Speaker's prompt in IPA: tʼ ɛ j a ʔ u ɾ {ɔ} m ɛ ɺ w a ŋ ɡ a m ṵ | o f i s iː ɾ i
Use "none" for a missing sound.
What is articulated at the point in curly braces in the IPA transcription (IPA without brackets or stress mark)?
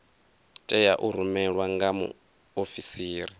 u